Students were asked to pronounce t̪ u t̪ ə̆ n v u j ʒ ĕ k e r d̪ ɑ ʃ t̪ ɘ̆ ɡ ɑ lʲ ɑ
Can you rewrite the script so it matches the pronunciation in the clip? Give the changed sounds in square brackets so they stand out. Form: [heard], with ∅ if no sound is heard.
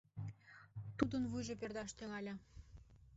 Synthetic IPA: t̪ u [d̪] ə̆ n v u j ʒ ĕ [p] e r d̪ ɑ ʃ t̪ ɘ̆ [ŋ] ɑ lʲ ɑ